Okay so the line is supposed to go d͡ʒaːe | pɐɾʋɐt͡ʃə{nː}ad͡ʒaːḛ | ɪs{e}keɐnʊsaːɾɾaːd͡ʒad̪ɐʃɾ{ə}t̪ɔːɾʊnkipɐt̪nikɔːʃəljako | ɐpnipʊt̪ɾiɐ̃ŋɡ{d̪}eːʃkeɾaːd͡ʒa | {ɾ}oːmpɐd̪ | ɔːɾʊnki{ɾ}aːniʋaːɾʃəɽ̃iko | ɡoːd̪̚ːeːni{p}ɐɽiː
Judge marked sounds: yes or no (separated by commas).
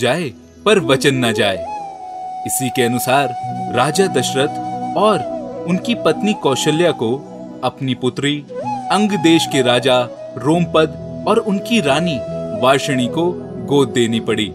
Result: yes, no, yes, yes, yes, yes, yes